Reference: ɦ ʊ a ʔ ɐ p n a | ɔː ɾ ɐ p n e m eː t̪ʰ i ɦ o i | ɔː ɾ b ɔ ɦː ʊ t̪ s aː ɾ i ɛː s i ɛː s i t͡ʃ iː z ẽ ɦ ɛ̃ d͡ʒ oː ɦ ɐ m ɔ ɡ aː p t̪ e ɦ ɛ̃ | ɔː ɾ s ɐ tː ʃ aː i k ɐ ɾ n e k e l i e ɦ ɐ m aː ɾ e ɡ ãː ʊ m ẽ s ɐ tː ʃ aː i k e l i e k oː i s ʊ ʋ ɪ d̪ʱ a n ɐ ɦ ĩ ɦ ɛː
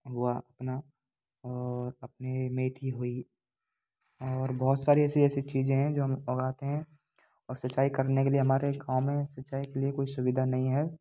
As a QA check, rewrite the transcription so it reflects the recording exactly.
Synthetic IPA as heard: ɦ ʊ a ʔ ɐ p n a | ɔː ɾ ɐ p n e m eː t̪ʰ i ɦ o i | ɔː ɾ b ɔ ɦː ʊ t̪ s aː ɾ i ɛː s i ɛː s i t͡ʃ iː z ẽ ɦ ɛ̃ d͡ʒ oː ɦ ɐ m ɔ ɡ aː t̪ e ɦ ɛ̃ | ɔː ɾ s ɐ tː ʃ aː i k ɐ ɾ n e k e l i e ɦ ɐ m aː ɾ e ɡ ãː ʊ m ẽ s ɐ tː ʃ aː i k e l i e k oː i s ʊ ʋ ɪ d̪ʱ a n ɐ ɦ ĩ ɦ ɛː